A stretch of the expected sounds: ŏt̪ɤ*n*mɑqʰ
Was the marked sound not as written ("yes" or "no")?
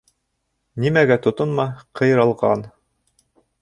no